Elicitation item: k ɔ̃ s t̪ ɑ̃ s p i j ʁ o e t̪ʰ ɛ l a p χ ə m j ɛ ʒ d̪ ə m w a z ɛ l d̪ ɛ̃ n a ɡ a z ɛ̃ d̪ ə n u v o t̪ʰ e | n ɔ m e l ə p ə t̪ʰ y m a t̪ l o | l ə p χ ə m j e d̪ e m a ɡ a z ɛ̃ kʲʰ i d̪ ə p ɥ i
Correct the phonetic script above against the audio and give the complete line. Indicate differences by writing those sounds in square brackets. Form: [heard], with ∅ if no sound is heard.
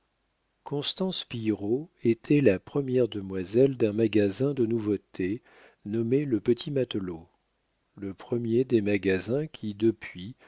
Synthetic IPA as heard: k ɔ̃ s t̪ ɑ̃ s p i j ʁ o e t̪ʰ ɛ l a p χ ə m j ɛ [ʁ] d̪ ə m w a z ɛ l d̪ ɛ̃ [m] a ɡ a z ɛ̃ d̪ ə n u v o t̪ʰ e | n ɔ m e l ə p ə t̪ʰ [i] m a t̪ l o | l ə p χ ə m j e d̪ e m a ɡ a z ɛ̃ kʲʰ i d̪ ə p ɥ i